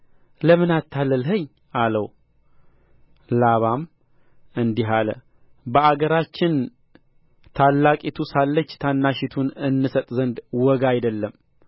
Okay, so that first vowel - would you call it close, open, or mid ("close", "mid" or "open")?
mid